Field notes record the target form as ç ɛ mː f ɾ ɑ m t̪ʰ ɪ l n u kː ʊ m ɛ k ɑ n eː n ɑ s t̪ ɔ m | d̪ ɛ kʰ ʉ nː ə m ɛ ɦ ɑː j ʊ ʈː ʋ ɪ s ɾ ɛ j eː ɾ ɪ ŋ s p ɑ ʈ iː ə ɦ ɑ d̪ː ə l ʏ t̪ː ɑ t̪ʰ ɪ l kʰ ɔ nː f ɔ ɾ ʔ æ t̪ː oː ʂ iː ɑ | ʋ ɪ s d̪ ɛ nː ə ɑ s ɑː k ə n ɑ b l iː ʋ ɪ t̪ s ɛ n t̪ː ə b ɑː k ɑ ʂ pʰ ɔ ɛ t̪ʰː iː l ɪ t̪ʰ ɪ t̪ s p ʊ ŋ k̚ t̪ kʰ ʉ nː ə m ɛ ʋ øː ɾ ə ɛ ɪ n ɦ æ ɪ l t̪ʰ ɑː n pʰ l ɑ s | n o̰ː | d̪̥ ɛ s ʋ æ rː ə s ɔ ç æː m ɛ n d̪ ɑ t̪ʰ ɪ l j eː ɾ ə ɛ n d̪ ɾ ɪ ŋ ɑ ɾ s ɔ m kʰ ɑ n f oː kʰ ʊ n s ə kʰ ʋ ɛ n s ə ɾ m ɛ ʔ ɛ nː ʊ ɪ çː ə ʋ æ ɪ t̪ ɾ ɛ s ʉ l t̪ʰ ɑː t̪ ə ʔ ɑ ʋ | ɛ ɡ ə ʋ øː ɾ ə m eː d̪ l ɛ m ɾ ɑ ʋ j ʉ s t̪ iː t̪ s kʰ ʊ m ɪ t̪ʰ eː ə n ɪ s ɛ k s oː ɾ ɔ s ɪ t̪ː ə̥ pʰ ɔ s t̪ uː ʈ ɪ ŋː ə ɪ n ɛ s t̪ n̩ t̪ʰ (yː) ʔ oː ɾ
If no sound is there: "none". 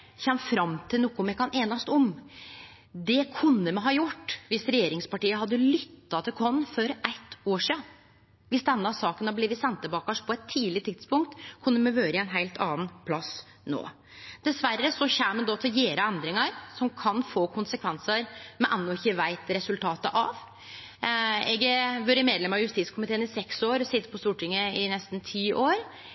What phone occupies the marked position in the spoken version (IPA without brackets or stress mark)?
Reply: iː